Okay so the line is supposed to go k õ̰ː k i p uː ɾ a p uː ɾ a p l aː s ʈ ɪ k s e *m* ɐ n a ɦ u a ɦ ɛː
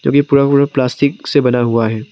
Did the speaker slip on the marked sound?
yes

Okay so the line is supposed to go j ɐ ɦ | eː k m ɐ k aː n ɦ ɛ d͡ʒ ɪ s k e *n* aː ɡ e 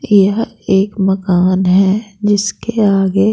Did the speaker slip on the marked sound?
yes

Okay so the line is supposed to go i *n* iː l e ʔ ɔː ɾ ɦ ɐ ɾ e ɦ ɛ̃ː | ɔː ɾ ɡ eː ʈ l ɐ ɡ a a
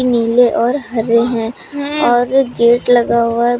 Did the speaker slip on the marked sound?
no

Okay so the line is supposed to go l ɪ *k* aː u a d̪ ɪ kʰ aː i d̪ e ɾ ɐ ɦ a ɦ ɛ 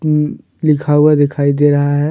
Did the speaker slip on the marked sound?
yes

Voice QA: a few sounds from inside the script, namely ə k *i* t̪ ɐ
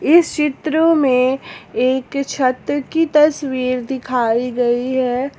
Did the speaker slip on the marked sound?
no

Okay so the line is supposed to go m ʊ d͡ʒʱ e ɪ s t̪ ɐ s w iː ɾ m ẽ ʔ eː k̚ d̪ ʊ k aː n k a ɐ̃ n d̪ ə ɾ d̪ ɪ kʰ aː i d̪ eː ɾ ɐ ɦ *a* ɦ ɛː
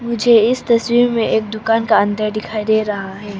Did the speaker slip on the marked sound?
no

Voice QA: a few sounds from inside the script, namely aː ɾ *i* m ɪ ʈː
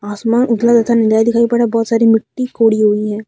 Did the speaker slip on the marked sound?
no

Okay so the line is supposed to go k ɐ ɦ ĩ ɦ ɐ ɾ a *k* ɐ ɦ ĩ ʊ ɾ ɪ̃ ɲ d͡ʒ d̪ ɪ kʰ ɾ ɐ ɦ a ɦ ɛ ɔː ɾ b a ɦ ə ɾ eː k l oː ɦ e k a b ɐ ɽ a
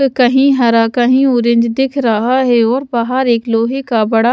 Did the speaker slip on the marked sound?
no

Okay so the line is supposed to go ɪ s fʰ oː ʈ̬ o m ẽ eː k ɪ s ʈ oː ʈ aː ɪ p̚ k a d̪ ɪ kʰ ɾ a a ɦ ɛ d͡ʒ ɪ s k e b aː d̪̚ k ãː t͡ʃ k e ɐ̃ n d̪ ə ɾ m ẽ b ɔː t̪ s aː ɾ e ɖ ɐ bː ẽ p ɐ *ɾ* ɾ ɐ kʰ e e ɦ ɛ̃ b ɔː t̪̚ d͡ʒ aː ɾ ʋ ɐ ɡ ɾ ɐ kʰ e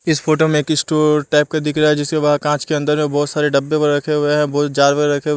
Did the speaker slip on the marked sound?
no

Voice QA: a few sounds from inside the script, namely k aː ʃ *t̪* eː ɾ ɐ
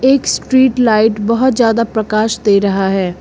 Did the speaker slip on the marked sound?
yes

